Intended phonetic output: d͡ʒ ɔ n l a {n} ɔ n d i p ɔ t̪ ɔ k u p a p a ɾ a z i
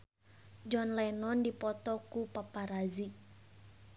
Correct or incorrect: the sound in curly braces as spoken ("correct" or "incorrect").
correct